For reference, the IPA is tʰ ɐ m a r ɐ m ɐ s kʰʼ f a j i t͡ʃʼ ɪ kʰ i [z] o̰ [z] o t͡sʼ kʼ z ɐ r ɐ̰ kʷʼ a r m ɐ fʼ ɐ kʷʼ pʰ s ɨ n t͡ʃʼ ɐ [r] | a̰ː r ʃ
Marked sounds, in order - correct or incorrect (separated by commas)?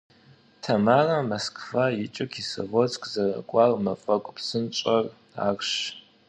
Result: incorrect, incorrect, correct